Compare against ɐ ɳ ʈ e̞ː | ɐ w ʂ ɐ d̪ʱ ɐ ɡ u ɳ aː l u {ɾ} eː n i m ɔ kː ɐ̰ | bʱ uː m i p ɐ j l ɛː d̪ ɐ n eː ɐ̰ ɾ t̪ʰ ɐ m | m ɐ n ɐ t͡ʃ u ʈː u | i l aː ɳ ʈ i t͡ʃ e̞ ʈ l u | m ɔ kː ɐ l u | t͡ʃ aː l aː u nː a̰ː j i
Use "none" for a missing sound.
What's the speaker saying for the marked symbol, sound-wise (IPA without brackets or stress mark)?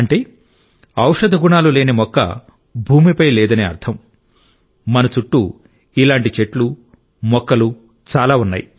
l